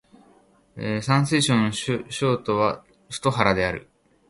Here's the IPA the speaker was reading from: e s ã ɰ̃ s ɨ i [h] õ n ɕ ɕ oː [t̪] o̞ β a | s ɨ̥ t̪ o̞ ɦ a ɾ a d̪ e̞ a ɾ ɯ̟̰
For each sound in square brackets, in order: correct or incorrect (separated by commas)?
incorrect, correct